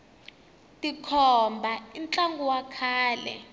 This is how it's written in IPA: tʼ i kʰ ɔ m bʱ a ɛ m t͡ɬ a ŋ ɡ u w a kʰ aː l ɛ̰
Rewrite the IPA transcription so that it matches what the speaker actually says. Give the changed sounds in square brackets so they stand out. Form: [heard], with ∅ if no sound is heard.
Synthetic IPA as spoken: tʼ i kʰ ɔ m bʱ a [i] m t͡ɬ a ŋ ɡ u w a kʰ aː l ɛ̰